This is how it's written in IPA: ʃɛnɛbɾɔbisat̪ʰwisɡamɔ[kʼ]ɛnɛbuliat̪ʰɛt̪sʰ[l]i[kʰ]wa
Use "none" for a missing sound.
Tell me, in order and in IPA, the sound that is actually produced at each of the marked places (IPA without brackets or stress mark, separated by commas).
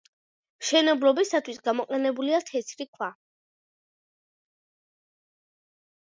qʼ, ɾ, kʰ